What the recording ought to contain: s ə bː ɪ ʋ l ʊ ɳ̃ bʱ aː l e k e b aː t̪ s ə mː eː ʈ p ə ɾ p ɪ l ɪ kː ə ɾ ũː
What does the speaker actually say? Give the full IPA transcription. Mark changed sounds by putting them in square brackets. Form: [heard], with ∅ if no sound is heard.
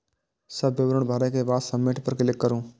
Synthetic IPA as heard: s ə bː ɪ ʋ [ɾ] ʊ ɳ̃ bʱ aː [ɾ] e k e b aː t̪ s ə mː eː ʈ p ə ɾ [k] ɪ l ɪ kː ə ɾ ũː